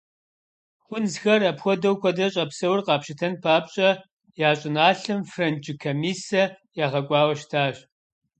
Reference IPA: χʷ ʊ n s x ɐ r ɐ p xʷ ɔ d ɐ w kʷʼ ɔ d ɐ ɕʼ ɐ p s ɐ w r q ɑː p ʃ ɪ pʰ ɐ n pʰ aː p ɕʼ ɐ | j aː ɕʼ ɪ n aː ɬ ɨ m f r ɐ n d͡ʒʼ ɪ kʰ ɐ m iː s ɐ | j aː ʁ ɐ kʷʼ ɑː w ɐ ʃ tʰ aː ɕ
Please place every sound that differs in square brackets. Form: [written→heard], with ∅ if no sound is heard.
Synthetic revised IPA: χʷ ʊ n [s→z] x ɐ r ɐ p xʷ ɔ d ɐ w [kʷʼ→kʷ] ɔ d ɐ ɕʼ ɐ p s ɐ w r q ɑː p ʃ ɪ [pʰ→tʰ] ɐ n pʰ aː p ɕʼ ɐ | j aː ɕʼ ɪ n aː ɬ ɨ m f r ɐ n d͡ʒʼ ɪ kʰ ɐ m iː s ɐ | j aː ʁ ɐ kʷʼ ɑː w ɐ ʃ tʰ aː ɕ